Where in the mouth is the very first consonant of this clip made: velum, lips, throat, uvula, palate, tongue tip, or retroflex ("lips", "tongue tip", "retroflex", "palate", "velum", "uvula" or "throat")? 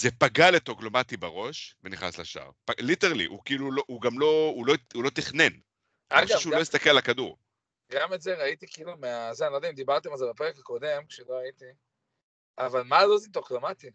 tongue tip